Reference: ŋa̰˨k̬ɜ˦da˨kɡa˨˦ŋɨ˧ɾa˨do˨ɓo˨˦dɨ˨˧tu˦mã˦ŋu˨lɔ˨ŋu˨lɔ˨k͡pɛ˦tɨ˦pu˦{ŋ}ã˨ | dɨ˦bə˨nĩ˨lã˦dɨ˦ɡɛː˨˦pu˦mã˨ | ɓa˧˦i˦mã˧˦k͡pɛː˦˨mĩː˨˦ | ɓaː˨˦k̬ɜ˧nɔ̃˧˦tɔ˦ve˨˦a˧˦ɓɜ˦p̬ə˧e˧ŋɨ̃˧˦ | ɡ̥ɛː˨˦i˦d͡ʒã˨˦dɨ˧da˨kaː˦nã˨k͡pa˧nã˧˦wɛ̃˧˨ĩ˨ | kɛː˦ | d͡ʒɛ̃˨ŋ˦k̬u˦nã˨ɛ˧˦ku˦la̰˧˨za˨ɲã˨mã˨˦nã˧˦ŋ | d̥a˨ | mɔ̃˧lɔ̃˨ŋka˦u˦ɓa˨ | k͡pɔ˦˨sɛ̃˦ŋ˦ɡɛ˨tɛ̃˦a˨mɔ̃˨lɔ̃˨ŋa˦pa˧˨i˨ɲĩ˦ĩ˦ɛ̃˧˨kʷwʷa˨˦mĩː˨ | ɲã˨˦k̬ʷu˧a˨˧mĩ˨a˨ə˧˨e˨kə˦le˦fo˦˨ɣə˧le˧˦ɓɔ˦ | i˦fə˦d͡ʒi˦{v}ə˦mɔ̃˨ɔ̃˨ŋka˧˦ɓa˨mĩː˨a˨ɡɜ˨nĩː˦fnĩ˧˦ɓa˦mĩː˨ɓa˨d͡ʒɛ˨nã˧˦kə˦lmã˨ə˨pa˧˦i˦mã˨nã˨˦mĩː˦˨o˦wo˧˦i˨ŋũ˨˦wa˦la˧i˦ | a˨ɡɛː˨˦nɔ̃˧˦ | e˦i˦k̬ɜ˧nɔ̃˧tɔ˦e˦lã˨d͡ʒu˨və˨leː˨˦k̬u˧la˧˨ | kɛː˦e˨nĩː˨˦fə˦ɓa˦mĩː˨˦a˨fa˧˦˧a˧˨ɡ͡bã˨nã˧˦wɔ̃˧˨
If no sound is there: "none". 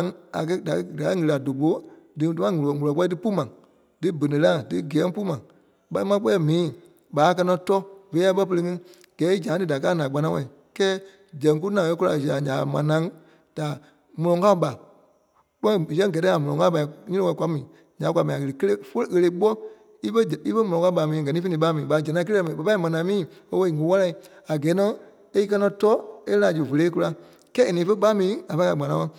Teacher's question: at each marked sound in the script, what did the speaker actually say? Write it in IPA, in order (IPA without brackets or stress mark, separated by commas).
m, f